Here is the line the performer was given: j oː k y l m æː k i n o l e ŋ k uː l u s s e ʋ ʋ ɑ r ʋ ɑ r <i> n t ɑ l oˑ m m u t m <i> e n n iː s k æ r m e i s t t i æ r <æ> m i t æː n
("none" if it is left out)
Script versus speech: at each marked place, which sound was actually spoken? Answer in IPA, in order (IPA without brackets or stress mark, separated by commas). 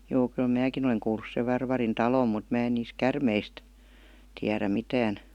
i, æ, æ